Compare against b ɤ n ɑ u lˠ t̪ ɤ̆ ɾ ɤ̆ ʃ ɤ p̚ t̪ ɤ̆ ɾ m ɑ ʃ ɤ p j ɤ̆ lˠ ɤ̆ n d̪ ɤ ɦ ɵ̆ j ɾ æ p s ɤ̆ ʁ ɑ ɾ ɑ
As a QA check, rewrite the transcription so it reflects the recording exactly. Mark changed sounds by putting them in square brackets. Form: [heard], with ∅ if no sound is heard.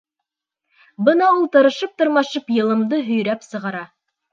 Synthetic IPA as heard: b ɤ n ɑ u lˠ t̪ ɤ̆ ɾ ɤ̆ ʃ ɤ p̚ t̪ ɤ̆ ɾ m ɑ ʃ ɤ p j ɤ̆ lˠ ɤ̆ [m] d̪ ɤ ɦ ɵ̆ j ɾ æ p s ɤ̆ ʁ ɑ ɾ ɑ